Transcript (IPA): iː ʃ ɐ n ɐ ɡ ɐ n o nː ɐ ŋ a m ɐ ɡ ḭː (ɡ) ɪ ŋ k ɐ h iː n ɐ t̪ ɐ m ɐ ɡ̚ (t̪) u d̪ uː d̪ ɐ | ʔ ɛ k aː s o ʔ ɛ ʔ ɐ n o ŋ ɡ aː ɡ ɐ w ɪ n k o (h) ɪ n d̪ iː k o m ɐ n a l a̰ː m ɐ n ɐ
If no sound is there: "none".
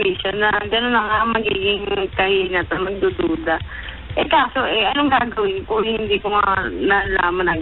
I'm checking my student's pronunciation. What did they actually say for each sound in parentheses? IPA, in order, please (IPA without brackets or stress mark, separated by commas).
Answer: ɡ, d̪, h